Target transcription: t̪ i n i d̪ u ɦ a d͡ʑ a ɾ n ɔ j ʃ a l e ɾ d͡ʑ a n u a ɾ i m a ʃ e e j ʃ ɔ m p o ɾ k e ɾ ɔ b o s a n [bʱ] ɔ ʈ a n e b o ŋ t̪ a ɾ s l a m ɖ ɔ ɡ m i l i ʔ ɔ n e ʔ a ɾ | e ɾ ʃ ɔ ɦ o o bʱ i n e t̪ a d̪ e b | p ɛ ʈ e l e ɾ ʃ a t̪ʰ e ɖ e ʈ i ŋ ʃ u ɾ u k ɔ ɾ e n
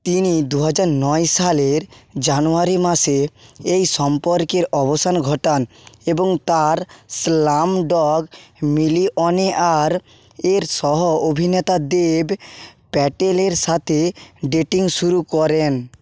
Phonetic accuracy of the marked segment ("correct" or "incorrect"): incorrect